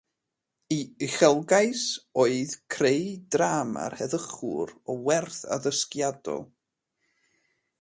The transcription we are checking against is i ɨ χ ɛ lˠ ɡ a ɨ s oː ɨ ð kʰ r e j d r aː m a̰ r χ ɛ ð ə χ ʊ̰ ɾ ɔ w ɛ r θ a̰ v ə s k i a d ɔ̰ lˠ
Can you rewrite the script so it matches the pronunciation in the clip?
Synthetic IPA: i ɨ χ ɛ lˠ ɡ a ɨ s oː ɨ ð kʰ r e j d r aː m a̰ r h ɛ ð ə χ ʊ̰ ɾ ɔ w ɛ r θ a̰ ð ə s k j a d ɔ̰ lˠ